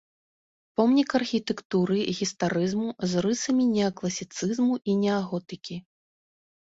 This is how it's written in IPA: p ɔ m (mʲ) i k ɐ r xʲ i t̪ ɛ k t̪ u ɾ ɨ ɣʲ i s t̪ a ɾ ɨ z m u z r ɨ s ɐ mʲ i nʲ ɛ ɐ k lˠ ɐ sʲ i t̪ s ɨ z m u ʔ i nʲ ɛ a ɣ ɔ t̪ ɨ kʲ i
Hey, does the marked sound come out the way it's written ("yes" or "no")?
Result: no